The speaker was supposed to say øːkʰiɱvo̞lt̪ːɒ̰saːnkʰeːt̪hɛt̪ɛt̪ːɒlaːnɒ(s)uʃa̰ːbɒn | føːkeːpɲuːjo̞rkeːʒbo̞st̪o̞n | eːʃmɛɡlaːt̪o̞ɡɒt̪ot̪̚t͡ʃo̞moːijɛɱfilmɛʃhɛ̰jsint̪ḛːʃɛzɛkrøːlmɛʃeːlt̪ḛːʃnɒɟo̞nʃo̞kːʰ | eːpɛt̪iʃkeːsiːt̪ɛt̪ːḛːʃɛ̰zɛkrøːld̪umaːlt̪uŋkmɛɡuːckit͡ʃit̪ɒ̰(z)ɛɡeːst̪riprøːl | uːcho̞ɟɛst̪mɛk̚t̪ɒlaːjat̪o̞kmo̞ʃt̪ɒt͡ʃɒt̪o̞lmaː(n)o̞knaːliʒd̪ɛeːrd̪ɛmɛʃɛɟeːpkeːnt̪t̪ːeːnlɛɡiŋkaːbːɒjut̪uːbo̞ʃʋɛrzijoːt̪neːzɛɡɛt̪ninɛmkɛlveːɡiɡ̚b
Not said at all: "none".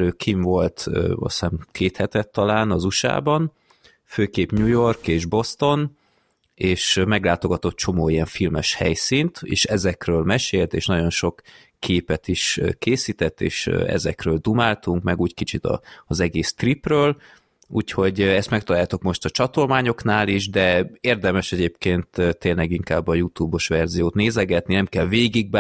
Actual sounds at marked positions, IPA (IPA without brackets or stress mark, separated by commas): z, z, ɲ